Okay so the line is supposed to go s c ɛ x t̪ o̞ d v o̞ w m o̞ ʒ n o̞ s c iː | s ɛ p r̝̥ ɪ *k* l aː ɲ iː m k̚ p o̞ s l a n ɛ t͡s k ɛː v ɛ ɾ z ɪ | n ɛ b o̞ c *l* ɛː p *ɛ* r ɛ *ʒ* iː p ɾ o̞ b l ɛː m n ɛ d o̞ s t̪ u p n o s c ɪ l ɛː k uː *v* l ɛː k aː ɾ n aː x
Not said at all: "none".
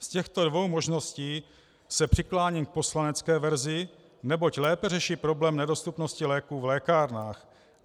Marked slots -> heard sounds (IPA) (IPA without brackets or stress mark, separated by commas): k, l, ɛ, ʃ, v